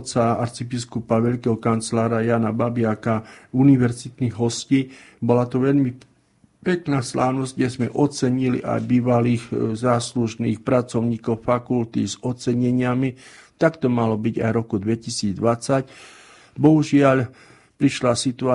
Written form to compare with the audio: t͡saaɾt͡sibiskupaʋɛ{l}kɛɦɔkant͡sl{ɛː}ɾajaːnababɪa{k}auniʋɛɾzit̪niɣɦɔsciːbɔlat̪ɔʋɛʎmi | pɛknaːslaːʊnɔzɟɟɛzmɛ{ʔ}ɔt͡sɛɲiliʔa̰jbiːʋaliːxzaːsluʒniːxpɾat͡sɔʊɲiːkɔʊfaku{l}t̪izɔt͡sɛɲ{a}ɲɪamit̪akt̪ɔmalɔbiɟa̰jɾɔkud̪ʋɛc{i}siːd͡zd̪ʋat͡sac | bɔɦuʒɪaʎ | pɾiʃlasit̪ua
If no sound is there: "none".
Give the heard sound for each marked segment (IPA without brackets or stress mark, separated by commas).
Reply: ʎ, aː, k, ʔ, l, ɛ, i